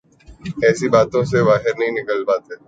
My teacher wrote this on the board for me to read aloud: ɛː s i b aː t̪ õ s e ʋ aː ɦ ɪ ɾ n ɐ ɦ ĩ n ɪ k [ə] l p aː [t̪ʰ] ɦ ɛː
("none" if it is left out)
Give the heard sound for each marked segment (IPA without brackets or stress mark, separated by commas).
ə, t̪